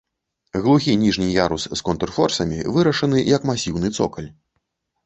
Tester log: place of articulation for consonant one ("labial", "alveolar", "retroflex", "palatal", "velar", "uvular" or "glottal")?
velar